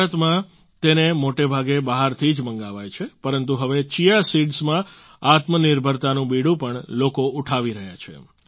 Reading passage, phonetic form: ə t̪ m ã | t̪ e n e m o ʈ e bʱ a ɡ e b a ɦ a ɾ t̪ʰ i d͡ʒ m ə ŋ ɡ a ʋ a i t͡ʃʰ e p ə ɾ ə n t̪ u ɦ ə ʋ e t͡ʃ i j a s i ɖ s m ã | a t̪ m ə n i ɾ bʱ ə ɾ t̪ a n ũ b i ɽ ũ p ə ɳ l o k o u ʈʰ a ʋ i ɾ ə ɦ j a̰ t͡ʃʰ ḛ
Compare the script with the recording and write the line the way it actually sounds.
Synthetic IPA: ə t̪ m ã | t̪ e n e m o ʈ e bʱ a ɡ e b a ɦ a ɾ t̪ʰ i d͡ʒ m ə ŋ ɡ a ʋ a j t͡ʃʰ e p ə ɾ ə n t̪ u ɦ ə ʋ e t͡ʃ i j a s i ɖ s m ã | a t̪ m ə n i ɾ bʱ ə ɾ t̪ a n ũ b i ɽ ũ p ə ɳ l o k o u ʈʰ a ʋ i ɾ ə ɦ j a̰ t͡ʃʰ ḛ